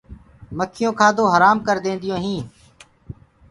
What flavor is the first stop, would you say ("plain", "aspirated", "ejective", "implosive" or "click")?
aspirated